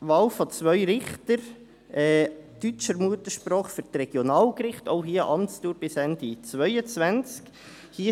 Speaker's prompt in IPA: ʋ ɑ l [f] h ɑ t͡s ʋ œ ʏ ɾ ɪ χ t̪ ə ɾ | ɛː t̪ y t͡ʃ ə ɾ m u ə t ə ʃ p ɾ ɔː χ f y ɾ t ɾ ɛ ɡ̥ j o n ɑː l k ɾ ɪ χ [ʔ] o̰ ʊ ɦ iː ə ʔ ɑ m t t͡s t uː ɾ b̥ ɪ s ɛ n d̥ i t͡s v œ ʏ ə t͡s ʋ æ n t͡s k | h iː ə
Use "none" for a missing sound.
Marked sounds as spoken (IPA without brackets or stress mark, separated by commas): f, t